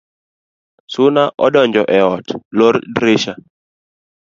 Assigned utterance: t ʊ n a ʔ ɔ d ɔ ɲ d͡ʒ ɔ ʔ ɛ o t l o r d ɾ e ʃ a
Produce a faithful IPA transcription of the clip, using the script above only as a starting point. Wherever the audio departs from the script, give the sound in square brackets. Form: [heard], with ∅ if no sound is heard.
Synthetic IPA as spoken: [s] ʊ n a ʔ ɔ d ɔ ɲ d͡ʒ ɔ ʔ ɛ [ɔ] t l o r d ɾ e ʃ a